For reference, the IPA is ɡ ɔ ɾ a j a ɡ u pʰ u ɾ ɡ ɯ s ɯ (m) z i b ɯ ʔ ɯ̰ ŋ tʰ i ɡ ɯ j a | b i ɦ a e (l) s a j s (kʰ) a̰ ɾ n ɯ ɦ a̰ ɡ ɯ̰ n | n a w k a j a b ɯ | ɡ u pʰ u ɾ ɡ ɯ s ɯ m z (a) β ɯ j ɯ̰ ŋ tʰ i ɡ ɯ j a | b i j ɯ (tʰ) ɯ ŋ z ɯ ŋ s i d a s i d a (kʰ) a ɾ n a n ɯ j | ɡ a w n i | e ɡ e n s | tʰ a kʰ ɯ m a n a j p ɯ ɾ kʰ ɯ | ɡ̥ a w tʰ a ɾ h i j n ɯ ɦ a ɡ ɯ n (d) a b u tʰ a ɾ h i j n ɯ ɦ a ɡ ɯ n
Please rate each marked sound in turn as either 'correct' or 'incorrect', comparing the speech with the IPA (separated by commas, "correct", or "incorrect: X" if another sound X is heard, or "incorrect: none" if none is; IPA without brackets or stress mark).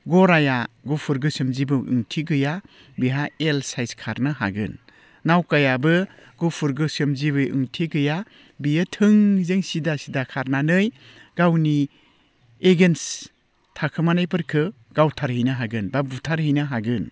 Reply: correct, correct, correct, incorrect: i, correct, correct, incorrect: b